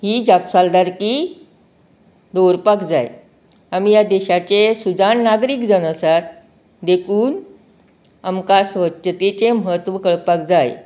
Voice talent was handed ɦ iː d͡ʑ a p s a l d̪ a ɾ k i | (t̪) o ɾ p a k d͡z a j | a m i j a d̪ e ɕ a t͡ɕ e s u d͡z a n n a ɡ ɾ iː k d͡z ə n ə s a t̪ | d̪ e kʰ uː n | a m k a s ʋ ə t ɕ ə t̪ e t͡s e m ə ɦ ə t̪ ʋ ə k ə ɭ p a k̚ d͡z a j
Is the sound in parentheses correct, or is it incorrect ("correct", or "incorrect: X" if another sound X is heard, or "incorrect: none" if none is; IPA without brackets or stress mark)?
incorrect: d̪